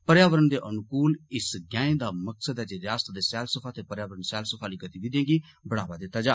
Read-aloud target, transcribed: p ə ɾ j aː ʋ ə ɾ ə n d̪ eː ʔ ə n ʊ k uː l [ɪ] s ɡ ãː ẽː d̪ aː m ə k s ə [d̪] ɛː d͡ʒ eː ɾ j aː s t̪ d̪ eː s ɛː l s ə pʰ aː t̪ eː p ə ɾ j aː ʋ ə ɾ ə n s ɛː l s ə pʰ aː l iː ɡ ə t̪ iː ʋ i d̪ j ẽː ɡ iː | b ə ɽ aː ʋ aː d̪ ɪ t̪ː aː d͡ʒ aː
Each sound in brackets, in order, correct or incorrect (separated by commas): correct, correct